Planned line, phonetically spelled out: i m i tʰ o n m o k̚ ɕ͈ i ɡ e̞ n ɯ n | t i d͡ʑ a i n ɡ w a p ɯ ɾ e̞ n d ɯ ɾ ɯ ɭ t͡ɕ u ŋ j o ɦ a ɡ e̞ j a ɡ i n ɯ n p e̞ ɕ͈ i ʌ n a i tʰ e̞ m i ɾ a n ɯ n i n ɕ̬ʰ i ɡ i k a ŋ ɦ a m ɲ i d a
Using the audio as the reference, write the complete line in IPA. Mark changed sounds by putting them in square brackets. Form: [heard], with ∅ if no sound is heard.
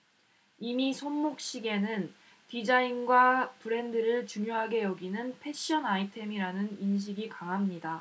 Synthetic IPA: i m i [sʰ] o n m o k̚ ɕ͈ i ɡ e̞ n ɯ n | t i d͡ʑ a i n ɡ w a p ɯ ɾ e̞ n d ɯ ɾ ɯ ɭ t͡ɕ u ŋ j o ɦ a ɡ e̞ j [ʌ] ɡ i n ɯ n [pʰ] e̞ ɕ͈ i ʌ n a i tʰ e̞ m i ɾ a n ɯ n i n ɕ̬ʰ i ɡ i k a ŋ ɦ a m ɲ i d a